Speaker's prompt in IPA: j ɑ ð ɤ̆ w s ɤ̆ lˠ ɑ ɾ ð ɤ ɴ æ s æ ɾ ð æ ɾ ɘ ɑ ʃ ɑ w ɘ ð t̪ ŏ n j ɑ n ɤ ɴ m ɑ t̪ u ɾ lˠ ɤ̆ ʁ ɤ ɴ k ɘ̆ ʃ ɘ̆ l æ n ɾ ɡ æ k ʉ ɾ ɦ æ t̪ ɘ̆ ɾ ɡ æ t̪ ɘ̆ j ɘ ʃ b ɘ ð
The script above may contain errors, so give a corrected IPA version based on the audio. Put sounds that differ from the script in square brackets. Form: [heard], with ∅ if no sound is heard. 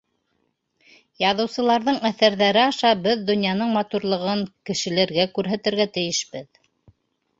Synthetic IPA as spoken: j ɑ ð ɤ̆ w s ɤ̆ lˠ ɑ ɾ ð ɤ ɴ æ [θ] æ ɾ ð æ ɾ ɘ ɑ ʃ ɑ [b] ɘ ð [d̪] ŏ n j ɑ n ɤ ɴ m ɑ t̪ u ɾ lˠ ɤ̆ ʁ ɤ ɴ k ɘ̆ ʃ ɘ̆ l æ [∅] ɾ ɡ æ k ʉ ɾ ɦ æ t̪ ɘ̆ ɾ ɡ æ t̪ ɘ̆ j ɘ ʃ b ɘ ð